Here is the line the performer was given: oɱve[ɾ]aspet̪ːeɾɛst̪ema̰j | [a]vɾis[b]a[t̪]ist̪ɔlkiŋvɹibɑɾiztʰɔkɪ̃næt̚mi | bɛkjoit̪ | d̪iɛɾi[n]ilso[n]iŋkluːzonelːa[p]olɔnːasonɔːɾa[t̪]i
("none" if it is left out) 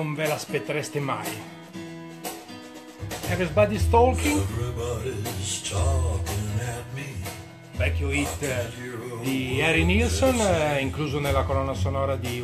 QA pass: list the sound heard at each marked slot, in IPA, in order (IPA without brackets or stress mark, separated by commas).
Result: l, ɛ, b, d̪, n, n, k, d̪